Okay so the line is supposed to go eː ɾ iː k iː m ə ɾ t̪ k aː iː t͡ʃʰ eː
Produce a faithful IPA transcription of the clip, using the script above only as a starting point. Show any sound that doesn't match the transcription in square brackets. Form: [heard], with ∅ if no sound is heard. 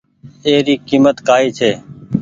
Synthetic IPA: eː ɾ iː k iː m ə [∅] t̪ k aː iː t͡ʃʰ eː